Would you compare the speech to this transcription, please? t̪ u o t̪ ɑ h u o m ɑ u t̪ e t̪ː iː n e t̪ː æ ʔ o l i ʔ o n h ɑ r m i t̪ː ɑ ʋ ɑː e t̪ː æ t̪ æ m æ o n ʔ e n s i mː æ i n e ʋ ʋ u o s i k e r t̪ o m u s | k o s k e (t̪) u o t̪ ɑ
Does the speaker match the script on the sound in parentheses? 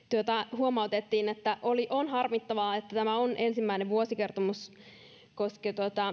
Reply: yes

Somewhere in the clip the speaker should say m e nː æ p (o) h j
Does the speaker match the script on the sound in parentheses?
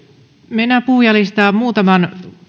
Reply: no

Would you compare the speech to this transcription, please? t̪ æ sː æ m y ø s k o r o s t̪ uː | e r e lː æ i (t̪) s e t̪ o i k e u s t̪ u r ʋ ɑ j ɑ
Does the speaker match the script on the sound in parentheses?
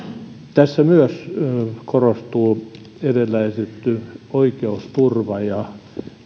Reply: no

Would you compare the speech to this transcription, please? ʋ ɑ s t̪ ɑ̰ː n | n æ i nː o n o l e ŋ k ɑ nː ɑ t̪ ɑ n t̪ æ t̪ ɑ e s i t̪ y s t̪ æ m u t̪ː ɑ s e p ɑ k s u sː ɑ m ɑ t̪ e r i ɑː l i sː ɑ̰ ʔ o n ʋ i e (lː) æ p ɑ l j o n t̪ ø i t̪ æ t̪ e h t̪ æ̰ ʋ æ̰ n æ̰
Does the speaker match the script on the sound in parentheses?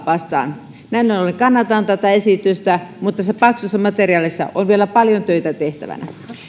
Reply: no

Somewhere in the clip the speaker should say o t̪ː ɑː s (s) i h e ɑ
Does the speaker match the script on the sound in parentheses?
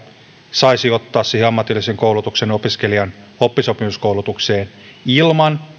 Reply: yes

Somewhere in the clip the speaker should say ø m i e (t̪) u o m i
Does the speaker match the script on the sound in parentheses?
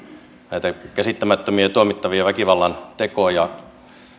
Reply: yes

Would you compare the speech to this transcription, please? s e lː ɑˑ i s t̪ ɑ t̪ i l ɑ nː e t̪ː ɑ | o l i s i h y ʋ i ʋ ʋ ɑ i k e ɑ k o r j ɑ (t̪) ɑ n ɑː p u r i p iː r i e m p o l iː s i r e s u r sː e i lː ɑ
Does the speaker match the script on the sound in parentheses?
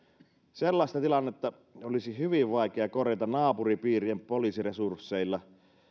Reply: yes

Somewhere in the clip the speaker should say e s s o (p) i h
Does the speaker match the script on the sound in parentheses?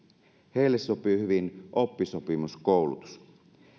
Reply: yes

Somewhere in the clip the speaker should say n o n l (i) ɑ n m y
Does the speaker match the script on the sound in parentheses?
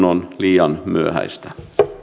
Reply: no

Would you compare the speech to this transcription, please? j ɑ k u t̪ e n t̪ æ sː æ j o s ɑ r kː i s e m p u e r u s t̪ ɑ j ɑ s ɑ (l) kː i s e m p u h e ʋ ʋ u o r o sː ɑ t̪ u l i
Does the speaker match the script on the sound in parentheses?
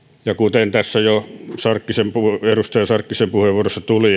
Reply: no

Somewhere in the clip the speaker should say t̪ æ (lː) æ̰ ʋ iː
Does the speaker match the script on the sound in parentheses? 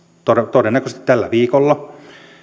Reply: yes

